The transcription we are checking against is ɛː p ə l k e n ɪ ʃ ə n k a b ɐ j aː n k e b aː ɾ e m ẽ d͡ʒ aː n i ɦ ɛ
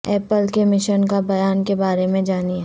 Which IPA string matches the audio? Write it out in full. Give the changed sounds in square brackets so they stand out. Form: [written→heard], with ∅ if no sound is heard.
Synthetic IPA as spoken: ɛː p ə l k e [n→m] ɪ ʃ ə n k a b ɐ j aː n k e b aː ɾ e m ẽ d͡ʒ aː n i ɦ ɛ